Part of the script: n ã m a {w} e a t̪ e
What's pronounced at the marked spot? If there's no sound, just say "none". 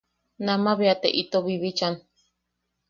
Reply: β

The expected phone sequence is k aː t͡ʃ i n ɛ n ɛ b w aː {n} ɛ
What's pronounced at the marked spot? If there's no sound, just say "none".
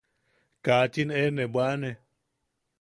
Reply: n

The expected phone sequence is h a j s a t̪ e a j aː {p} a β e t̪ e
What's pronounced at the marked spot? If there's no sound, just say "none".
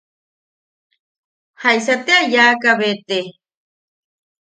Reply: k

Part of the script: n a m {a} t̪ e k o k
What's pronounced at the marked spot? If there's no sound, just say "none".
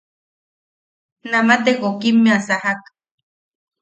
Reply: a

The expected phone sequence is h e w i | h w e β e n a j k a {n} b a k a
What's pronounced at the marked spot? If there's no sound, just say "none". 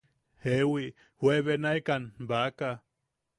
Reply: n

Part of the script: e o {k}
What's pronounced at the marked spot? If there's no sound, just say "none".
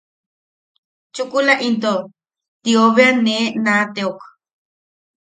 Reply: k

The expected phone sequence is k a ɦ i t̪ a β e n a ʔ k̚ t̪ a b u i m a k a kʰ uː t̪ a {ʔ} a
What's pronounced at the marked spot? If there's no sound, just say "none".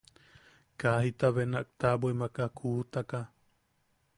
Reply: k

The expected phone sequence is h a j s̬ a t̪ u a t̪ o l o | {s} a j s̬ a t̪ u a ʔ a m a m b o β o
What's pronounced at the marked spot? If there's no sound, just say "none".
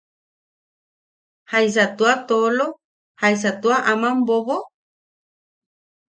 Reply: h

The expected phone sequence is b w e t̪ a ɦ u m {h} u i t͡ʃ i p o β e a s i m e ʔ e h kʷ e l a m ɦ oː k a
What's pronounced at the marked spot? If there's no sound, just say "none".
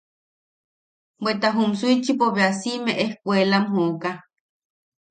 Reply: s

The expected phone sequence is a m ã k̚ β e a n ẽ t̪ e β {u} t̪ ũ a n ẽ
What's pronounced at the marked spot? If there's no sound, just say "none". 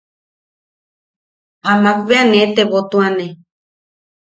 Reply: o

